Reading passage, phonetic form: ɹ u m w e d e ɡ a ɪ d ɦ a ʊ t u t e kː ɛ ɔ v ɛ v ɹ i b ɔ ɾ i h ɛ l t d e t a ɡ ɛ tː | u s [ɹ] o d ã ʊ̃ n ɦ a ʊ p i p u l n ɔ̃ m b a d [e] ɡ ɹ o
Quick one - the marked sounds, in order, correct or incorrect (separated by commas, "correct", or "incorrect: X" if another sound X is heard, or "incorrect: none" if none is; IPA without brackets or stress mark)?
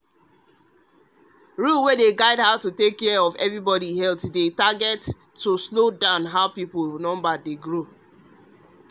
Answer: incorrect: l, correct